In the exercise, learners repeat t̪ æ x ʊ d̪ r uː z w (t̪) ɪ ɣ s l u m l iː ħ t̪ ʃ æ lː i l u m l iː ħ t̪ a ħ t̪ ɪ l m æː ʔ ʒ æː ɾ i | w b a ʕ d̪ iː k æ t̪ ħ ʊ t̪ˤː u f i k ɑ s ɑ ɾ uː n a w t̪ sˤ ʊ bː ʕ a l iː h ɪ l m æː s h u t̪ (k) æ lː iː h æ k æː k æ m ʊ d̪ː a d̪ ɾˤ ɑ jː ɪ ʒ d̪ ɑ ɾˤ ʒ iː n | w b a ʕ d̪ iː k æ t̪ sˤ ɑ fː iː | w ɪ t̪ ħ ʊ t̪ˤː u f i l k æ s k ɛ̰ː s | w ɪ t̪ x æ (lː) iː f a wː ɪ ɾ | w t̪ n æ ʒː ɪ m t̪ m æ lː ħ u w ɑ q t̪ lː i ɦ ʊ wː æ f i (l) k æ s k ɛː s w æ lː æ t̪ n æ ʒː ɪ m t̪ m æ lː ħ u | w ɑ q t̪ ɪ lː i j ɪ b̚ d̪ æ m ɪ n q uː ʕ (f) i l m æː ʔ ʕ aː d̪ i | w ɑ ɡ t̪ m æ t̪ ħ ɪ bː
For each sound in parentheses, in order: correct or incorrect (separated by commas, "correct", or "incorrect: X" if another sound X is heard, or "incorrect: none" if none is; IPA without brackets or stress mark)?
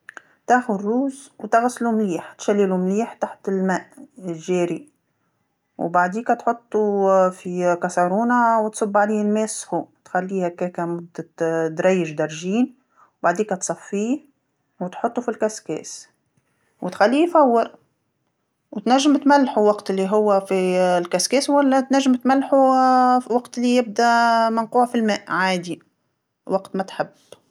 correct, incorrect: x, correct, correct, correct